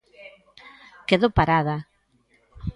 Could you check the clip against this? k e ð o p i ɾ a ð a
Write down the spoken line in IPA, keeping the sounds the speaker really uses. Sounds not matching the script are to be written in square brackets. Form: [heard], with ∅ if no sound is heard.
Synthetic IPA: k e ð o p [a] ɾ a ð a